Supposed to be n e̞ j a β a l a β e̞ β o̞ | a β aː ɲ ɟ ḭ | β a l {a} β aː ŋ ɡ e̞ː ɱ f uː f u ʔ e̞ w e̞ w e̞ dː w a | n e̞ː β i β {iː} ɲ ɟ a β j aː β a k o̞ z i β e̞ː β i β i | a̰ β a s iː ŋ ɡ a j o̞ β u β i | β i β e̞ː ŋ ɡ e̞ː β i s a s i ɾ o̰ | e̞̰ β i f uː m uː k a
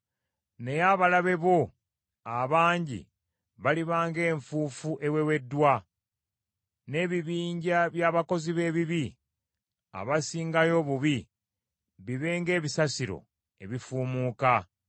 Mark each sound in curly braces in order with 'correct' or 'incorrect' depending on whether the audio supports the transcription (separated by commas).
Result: incorrect, correct